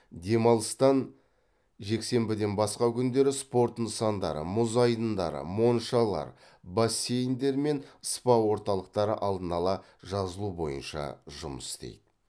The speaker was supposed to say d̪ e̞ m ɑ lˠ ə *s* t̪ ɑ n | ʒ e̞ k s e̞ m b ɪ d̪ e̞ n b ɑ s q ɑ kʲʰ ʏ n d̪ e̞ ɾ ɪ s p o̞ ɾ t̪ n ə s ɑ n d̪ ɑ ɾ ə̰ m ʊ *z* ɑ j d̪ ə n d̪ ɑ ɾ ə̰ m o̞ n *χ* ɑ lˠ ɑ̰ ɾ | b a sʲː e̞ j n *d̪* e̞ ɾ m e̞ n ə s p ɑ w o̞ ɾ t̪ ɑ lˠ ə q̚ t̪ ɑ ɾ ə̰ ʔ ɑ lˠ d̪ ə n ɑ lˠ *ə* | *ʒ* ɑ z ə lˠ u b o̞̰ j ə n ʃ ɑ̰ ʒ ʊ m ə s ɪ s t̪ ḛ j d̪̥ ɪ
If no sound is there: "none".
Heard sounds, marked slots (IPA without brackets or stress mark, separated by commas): s, z, ʃ, d̪, ɑ, ʒ